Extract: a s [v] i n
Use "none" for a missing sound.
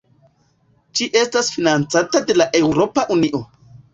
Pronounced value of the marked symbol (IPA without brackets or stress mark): f